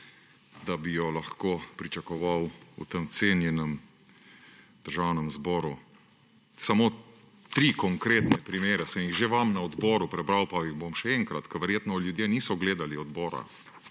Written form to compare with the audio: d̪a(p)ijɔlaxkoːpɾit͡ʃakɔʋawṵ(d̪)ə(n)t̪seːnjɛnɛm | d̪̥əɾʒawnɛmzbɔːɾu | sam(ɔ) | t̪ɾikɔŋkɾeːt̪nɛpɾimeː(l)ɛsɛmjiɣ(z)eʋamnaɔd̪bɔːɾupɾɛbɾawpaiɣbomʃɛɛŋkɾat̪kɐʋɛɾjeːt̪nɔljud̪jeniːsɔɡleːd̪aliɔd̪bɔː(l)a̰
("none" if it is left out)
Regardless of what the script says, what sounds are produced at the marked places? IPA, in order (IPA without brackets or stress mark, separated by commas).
b, t̪, m, o, ɾ, ʒ, ɾ